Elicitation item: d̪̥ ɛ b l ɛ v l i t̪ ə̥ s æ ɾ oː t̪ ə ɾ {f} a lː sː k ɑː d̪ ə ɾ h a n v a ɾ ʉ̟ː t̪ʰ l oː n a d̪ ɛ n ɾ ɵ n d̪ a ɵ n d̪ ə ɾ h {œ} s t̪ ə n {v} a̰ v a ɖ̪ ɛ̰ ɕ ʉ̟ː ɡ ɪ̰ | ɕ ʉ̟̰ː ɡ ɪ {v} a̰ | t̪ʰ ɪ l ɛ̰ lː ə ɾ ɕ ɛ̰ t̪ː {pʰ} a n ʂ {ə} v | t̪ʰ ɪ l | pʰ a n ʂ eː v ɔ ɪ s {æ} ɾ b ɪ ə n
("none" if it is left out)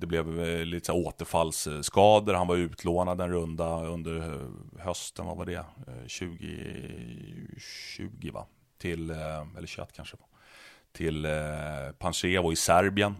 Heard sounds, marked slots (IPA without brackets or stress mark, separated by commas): f, œ, v, v, kʰ, ə, æ